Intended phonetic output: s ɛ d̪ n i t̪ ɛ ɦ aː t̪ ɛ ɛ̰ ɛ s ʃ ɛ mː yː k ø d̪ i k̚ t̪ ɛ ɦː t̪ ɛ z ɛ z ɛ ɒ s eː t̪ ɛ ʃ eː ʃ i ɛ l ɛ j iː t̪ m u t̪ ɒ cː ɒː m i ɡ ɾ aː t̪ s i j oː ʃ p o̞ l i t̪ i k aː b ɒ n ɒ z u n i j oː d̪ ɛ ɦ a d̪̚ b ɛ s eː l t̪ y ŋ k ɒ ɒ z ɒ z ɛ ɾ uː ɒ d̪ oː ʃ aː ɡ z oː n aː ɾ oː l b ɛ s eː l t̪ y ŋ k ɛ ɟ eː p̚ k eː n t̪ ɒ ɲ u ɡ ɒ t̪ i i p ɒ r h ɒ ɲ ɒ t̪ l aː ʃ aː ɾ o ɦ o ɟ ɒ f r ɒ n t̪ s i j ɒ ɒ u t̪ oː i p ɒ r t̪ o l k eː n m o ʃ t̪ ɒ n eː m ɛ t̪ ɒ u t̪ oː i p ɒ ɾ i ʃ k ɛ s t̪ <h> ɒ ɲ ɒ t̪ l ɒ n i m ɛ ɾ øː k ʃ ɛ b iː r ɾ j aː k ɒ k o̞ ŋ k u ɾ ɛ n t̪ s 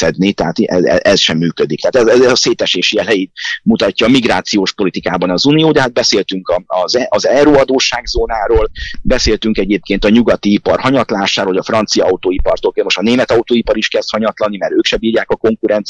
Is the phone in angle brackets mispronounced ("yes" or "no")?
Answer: no